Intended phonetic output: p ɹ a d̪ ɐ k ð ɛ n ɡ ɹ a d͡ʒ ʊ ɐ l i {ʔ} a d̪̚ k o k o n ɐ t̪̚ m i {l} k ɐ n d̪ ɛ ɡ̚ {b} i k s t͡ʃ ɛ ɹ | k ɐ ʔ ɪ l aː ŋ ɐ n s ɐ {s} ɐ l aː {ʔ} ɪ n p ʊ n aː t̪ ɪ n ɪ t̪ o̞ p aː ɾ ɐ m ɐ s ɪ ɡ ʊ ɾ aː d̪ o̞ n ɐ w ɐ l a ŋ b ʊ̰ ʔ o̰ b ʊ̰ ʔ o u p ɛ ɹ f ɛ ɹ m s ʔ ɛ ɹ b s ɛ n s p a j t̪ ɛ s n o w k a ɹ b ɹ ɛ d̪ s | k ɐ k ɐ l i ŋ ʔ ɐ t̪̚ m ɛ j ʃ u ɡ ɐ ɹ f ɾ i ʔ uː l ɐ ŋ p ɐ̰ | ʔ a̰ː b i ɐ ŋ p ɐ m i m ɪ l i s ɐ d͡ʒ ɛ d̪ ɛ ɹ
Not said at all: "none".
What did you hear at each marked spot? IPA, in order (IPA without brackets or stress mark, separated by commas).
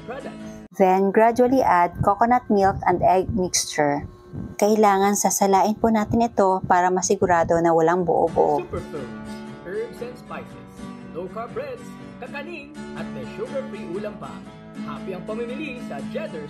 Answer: ʔ, l, m, s, ʔ